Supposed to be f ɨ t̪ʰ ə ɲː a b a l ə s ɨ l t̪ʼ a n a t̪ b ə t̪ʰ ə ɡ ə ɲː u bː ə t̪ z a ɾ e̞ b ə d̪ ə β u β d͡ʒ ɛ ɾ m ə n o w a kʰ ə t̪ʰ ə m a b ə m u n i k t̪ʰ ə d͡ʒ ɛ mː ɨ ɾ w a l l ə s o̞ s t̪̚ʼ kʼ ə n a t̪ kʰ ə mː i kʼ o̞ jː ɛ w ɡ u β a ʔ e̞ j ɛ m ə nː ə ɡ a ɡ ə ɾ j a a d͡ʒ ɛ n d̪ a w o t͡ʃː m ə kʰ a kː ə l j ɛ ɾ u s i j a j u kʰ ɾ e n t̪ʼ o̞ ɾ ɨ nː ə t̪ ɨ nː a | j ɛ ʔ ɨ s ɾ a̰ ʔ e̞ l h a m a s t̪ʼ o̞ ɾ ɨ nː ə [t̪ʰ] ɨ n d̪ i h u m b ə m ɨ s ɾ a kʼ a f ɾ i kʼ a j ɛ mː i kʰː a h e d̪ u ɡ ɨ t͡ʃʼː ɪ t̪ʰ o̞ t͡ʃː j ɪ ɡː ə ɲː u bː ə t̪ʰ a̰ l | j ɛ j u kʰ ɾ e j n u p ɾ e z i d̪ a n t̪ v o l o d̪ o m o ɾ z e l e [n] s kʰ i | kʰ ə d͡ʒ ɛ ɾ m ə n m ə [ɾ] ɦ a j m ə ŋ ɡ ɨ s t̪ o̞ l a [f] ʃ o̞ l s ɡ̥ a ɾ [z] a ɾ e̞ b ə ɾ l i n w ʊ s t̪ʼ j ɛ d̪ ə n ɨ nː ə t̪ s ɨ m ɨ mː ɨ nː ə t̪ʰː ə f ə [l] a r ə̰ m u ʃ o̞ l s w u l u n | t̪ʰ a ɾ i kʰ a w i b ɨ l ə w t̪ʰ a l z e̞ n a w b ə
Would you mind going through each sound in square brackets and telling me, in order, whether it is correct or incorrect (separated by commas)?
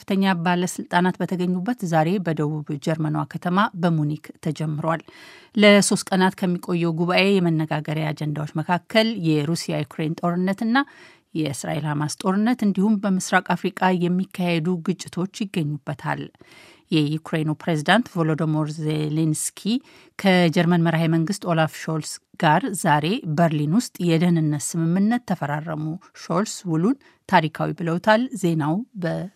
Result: incorrect, correct, correct, correct, correct, incorrect